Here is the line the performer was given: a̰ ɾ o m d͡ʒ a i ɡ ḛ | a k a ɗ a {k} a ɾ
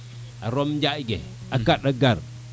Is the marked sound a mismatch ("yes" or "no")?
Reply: yes